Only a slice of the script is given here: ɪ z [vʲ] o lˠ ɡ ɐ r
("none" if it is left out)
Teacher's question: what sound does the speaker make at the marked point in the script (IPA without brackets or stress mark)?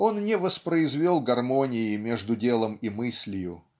vʲ